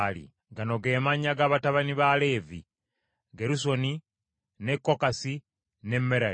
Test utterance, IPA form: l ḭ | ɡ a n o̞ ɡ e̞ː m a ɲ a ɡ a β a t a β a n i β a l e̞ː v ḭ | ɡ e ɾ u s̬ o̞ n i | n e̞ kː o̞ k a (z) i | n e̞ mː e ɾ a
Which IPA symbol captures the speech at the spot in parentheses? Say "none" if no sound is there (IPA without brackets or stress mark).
s